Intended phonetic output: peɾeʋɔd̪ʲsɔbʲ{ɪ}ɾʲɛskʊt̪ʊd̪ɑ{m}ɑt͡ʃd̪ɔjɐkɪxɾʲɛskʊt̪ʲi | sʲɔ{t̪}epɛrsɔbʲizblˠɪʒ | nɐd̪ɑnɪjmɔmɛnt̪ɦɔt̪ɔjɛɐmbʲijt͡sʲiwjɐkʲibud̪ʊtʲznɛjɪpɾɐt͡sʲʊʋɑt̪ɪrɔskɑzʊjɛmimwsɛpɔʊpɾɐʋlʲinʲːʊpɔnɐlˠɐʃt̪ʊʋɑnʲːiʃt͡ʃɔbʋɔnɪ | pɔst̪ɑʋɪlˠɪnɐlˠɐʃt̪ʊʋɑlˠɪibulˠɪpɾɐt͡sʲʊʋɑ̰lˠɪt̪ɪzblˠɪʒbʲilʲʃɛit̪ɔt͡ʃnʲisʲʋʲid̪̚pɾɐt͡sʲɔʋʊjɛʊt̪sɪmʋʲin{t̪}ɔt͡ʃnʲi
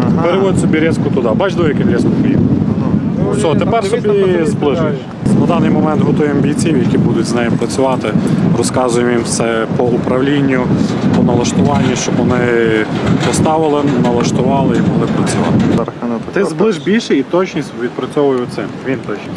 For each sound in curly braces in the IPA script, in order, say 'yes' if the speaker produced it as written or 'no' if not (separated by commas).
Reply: no, no, yes, yes